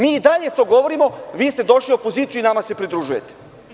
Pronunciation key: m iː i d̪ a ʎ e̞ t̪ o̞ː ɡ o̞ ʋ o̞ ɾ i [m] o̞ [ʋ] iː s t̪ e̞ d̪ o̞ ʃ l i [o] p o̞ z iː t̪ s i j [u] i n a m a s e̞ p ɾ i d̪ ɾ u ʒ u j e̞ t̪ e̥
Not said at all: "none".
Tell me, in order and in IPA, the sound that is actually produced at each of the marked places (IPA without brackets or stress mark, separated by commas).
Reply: m, ʋ, o, u